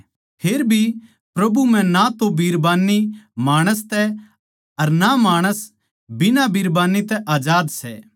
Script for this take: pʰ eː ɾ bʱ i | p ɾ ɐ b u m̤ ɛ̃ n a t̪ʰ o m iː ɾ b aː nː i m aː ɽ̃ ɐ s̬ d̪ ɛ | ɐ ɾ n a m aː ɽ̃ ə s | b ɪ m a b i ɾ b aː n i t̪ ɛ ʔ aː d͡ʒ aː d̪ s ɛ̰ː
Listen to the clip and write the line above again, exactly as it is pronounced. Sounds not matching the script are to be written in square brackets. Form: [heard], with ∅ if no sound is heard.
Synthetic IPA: pʰ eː ɾ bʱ i | p ɾ ɐ b u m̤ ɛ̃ n a [t̪] o [b] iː ɾ b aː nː i m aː ɽ̃ [ə] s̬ [t̪] ɛ | ɐ ɾ n a m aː ɽ̃ ə s | b ɪ [n] a b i ɾ b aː n i t̪ ɛ ʔ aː d͡ʒ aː d̪ s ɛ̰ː